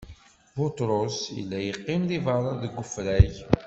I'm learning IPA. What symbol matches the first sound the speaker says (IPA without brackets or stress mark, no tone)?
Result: b